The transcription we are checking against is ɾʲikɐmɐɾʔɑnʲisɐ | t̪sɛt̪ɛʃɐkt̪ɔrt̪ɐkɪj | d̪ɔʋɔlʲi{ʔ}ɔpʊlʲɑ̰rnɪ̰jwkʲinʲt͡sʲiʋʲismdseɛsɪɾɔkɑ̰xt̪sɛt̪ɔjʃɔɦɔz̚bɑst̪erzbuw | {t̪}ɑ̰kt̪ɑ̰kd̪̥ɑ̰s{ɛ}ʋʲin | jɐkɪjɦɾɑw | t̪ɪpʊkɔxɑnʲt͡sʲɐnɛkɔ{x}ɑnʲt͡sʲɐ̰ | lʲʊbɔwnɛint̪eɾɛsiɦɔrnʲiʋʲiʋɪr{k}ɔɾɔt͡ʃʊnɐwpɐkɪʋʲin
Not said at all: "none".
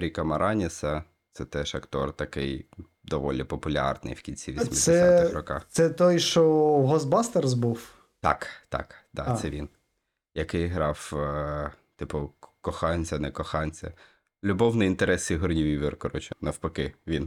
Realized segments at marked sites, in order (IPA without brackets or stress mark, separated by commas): p, t̪, ɛ, x, k